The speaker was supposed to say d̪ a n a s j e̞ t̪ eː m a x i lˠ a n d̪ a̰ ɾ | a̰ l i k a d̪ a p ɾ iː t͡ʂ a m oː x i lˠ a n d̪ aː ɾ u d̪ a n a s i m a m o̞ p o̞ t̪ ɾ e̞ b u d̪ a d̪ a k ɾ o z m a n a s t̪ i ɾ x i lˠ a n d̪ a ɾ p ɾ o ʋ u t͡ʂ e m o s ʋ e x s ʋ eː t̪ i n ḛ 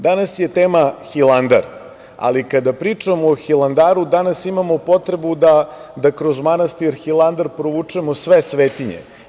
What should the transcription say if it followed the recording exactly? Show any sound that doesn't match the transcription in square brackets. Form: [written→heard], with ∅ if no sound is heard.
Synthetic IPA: d̪ a n a s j e̞ t̪ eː m a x i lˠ a n d̪ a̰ ɾ | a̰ l i k a d̪ a p ɾ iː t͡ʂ a m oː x i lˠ a n d̪ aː ɾ u d̪ a n a s i m a m o̞ p o̞ t̪ ɾ e̞ b u d̪ a d̪ a k ɾ o z m a n a s t̪ i ɾ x i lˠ a n d̪ a ɾ p ɾ o ʋ u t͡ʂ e m o s ʋ e [x→∅] s ʋ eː t̪ i [n→ɲ] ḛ